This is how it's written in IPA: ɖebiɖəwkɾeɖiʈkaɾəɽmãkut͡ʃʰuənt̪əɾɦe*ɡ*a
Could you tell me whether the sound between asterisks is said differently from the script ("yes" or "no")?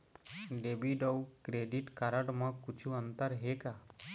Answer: yes